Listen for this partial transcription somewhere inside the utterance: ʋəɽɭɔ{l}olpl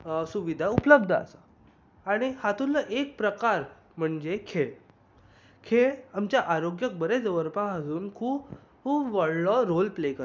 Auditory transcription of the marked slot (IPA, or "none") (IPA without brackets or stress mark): ɾ